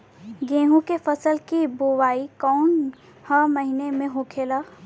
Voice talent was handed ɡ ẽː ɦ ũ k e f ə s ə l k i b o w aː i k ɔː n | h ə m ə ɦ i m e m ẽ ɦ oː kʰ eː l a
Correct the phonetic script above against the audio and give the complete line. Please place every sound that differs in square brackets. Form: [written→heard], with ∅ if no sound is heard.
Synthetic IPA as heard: ɡ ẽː ɦ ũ k e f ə s ə l k i b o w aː i k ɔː n | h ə m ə ɦ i [m→n] e m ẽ ɦ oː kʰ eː l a